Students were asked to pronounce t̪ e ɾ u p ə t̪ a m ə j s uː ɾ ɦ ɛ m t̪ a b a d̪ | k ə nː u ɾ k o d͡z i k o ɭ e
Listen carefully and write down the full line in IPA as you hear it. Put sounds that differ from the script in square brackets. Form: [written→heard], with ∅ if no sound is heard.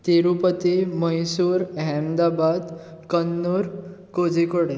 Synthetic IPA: t̪ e ɾ u p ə t̪ [a→i] m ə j s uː ɾ ɦ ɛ m [t̪→d̪] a b a d̪ | k ə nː u ɾ k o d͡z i k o [ɭ→ɽ] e